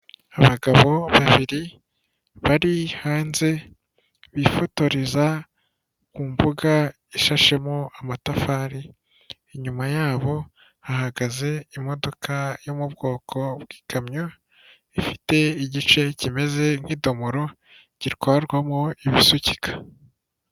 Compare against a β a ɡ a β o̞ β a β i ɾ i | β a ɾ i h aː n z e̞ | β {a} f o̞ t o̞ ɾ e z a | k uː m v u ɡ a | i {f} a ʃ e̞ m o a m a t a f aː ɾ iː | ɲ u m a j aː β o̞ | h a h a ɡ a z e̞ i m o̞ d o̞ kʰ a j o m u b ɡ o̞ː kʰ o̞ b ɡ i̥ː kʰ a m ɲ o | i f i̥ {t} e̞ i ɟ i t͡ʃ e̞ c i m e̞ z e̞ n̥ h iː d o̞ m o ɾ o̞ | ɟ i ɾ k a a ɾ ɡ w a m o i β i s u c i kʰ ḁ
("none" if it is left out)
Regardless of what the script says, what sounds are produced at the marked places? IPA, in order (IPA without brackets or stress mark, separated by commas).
i, ʃ, t